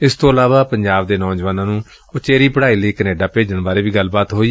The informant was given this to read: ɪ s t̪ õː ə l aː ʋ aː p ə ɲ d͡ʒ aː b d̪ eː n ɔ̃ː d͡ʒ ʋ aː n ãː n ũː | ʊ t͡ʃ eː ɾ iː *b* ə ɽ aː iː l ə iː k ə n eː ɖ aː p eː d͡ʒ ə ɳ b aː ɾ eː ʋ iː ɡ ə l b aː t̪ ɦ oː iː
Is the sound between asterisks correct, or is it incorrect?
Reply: incorrect